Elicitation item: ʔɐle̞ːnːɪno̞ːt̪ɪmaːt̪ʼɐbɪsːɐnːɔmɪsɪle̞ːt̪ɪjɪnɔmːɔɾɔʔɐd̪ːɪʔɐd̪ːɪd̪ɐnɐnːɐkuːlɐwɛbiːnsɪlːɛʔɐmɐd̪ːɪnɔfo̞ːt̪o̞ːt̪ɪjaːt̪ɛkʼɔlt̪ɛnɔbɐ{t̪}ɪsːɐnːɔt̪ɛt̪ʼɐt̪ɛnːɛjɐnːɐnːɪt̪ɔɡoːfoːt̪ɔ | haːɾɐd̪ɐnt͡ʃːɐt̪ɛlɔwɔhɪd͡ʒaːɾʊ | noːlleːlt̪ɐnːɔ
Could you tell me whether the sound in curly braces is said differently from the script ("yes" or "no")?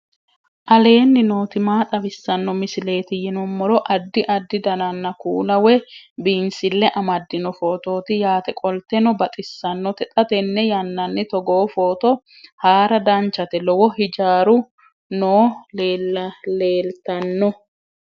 yes